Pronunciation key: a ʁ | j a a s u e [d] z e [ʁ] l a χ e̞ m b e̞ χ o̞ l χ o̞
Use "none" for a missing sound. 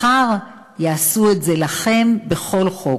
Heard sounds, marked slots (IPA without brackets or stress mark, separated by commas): t, none